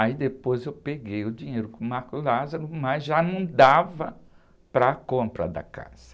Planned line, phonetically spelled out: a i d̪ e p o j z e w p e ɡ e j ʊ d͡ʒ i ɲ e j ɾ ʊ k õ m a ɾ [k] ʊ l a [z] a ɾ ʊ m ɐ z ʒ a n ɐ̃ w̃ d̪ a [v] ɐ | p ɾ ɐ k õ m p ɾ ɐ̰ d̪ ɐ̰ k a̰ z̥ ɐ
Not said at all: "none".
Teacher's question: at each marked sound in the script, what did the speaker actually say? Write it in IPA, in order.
k, z, v

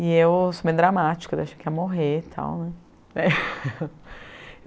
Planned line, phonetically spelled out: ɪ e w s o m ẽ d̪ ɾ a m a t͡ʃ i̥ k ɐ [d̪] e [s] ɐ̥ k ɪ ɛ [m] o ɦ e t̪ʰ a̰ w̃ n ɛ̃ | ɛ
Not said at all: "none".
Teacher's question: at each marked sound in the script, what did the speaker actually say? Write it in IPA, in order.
d̪, ʃ, m

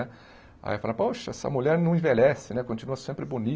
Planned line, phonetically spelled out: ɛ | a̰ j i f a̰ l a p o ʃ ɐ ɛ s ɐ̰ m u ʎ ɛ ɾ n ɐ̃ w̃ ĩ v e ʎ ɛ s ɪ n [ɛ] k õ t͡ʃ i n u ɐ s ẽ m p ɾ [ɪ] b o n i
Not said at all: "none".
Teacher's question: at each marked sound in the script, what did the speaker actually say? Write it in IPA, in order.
ɛ, ɪ

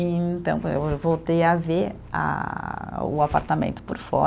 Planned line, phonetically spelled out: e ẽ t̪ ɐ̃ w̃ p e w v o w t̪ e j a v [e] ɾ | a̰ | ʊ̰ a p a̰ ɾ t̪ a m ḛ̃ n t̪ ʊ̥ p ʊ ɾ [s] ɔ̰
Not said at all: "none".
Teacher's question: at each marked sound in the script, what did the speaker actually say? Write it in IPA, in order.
e, f

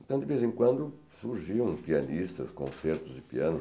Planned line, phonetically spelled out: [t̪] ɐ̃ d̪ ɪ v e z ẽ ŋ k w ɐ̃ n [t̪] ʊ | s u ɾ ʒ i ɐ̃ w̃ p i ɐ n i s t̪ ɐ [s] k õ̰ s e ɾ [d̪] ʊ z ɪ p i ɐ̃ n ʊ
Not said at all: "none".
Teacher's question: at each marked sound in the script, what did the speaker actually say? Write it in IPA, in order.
t̪, d̪, s, t̪

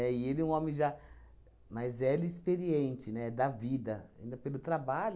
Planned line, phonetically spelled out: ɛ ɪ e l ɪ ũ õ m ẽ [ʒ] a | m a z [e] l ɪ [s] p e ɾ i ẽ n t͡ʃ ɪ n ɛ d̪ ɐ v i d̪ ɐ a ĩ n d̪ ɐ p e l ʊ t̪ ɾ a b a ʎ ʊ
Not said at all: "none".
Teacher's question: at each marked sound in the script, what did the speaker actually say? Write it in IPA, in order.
ʒ, ɛ, s

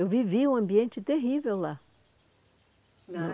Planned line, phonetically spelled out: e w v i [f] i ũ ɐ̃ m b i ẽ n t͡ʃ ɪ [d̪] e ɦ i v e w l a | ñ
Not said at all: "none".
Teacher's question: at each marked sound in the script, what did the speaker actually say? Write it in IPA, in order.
v, t̪

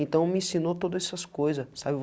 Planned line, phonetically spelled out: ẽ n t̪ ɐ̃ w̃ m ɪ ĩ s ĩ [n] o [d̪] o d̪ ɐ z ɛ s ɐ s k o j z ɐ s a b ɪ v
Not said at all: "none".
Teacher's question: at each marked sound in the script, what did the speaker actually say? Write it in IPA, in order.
n, t̪

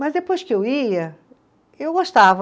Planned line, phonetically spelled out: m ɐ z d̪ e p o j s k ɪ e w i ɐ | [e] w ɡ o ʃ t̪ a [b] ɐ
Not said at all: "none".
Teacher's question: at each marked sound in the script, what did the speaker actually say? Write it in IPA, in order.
e, v

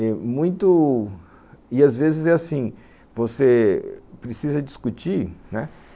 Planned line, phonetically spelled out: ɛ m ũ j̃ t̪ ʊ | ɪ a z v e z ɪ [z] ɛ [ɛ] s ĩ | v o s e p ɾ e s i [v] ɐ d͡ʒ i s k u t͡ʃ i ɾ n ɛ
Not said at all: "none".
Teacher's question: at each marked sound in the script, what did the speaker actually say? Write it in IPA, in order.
z, a, z

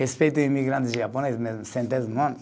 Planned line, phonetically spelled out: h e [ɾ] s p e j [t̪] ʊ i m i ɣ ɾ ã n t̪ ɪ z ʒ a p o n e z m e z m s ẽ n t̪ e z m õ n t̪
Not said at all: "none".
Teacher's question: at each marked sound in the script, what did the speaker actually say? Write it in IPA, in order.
none, t̪

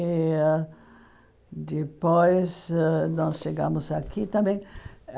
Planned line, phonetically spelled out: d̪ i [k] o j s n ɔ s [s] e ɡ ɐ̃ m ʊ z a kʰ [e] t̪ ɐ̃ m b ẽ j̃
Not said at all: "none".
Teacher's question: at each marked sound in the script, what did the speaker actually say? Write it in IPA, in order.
p, ʃ, i

